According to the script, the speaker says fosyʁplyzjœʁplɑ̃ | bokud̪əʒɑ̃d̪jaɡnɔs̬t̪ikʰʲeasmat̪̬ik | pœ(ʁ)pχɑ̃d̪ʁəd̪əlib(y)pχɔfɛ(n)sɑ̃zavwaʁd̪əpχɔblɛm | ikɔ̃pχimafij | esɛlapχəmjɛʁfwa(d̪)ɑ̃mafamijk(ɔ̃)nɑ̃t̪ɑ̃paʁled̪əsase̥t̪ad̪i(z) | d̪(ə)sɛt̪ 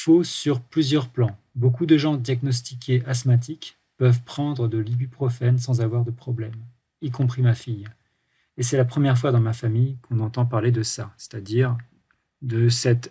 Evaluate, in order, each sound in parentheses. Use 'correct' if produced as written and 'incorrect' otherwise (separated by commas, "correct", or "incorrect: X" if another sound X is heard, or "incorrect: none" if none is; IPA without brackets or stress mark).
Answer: incorrect: v, correct, correct, correct, correct, incorrect: ʁ, correct